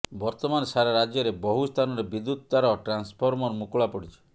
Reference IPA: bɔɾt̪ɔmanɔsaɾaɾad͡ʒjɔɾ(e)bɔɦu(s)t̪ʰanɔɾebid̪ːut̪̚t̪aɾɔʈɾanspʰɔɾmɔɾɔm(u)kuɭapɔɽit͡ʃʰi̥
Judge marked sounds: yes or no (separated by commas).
yes, yes, yes